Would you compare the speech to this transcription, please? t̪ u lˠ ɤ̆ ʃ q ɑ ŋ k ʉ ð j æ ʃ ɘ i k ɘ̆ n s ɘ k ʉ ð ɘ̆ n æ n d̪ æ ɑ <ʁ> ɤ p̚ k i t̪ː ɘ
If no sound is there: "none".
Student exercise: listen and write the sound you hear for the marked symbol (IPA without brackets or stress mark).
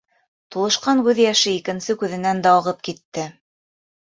ʁ